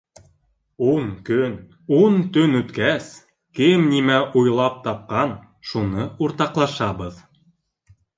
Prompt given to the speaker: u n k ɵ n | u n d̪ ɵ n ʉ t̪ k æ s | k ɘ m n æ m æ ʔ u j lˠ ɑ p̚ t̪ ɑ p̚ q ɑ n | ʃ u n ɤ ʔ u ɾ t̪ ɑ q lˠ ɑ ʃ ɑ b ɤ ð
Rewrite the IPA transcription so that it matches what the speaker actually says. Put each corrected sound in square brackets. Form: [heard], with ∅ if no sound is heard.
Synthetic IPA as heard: u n k ɵ n | u n [t̪] ɵ n ʉ t̪ k æ s | k ɘ m n [i] m æ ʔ u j lˠ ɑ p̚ t̪ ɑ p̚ q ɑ n | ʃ u n ɤ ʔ u ɾ t̪ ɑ q lˠ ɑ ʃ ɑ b ɤ ð